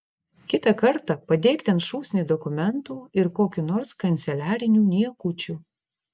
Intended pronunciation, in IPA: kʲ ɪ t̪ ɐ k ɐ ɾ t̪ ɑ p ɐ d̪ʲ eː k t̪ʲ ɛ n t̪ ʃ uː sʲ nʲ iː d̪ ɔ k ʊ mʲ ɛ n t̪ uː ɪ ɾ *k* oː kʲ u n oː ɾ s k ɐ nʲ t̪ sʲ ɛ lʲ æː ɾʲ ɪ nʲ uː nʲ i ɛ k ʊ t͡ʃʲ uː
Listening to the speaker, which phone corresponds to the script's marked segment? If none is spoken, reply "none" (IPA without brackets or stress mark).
k